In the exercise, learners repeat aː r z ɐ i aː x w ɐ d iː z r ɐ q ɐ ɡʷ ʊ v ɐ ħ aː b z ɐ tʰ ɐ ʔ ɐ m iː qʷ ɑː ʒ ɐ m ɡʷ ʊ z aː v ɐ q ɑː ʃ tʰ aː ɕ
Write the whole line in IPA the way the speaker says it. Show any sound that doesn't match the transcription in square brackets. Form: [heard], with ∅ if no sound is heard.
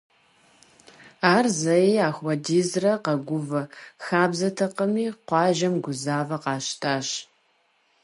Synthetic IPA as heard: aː r z ɐ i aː x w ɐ d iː z r ɐ q ɐ ɡʷ ʊ v ɐ [x] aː b z ɐ tʰ ɐ [q] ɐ m iː qʷ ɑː ʒ ɐ m ɡʷ ʊ z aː v ɐ q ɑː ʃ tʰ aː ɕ